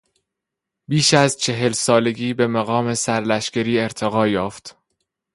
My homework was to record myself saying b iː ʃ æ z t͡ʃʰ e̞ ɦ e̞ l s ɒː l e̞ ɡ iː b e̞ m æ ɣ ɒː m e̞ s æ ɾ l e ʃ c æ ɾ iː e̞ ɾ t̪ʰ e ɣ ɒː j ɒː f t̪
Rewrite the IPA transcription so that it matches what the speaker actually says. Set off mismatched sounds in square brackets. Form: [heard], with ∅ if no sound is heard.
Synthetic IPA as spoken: b iː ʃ æ z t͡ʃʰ e̞ ɦ e̞ l s ɒː l e̞ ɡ iː b e̞ m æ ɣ ɒː m e̞ s æ ɾ l [æ] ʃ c æ ɾ iː e̞ ɾ t̪ʰ e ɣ ɒː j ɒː f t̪